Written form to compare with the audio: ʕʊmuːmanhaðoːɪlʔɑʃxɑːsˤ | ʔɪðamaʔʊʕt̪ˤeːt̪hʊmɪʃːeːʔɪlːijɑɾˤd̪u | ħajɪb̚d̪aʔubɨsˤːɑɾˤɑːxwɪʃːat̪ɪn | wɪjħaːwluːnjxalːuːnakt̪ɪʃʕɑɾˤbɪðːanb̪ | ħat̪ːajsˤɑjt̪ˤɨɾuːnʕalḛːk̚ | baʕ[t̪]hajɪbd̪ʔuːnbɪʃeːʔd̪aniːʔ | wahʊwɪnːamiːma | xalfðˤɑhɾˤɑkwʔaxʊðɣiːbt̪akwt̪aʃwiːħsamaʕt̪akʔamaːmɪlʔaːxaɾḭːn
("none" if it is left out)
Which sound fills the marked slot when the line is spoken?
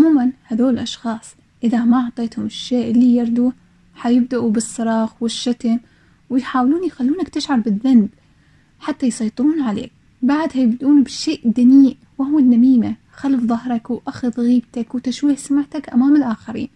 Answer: d̪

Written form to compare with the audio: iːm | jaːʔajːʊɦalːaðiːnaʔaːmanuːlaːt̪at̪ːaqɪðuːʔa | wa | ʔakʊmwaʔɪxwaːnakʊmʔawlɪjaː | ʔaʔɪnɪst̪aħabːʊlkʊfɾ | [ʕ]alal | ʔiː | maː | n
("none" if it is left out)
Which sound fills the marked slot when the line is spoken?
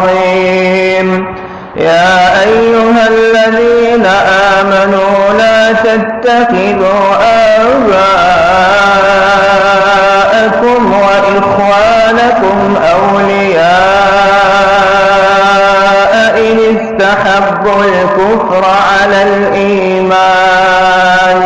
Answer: ʕ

